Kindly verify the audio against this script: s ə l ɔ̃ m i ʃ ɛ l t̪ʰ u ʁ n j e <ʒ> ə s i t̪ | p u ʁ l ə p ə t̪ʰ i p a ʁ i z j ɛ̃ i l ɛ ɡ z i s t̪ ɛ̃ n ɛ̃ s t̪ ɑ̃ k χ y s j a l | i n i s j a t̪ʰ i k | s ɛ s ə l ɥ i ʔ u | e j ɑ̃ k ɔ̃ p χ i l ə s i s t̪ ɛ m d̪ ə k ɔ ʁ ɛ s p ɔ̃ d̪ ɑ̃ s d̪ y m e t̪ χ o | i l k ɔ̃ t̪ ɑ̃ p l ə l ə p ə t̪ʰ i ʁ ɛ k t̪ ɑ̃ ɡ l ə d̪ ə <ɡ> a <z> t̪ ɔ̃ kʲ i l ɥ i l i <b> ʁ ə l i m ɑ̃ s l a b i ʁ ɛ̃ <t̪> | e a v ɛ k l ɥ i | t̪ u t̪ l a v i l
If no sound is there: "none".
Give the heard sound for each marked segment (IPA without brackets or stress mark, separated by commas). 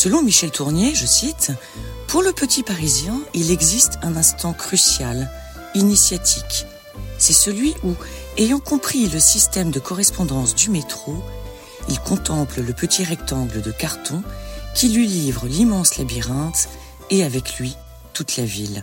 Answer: ʒ, k, ʁ, v, t̪